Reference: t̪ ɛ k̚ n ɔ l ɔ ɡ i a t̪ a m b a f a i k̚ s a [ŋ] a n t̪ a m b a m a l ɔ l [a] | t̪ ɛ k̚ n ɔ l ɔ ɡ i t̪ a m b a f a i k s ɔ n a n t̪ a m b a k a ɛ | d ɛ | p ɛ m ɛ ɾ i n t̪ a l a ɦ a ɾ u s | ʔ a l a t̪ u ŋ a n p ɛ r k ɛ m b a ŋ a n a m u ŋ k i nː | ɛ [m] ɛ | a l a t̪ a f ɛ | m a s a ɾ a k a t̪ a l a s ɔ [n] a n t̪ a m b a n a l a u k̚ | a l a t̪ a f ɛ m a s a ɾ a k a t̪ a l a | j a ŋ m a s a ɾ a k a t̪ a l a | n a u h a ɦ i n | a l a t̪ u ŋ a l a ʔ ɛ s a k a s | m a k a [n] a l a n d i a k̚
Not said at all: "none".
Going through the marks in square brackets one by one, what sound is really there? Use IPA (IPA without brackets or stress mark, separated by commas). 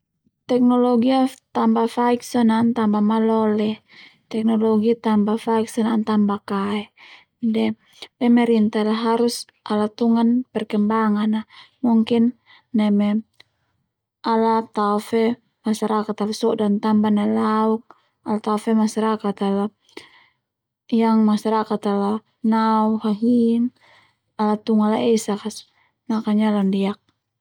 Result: n, ɛ, m, d, ɲ